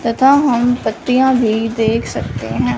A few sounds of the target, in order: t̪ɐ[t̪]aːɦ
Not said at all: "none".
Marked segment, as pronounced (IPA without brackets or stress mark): t̪ʰ